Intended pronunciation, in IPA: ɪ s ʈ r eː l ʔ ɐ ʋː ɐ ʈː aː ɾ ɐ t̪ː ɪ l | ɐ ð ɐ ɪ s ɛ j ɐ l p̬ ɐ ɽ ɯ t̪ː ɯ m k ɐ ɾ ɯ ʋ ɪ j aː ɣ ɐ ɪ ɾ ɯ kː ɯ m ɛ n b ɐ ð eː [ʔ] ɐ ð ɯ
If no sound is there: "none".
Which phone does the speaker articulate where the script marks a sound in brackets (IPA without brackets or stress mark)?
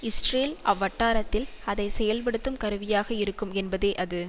ʔ